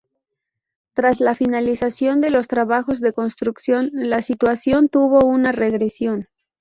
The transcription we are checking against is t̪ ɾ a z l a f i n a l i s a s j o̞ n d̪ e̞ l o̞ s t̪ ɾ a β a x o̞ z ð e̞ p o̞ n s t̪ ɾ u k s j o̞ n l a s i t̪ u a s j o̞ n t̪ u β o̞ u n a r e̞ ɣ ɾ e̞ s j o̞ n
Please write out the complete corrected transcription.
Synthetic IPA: t̪ ɾ a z l a f i n a l i s a s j o̞ n d̪ e̞ l o̞ s t̪ ɾ a β a x o̞ z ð e̞ k o̞ n s t̪ ɾ u k s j o̞ n l a s i t̪ w a s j o̞ n t̪ u β o̞ u n a r e̞ ɣ ɾ e̞ s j o̞ n